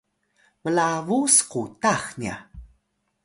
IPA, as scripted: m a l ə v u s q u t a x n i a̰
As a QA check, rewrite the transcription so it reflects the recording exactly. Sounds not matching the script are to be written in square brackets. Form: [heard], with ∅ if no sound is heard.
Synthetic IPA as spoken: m [ə] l [a] v u s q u t a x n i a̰